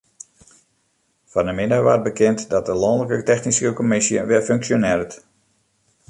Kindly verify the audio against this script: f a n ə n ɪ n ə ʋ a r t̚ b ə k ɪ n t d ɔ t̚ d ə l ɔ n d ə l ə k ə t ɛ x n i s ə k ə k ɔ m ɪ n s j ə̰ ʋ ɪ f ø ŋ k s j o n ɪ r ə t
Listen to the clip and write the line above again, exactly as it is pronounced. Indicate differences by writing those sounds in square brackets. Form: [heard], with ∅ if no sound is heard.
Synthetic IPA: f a n ə [m] ɪ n ə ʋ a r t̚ b ə k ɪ n t d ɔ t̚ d ə l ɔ n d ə l ə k ə t ɛ x n i s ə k ə k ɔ m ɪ [∅] s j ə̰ ʋ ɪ f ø ŋ k s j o n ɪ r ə t